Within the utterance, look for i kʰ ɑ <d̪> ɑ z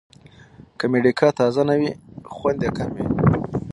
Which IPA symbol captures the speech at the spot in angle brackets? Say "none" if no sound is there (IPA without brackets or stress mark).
t̪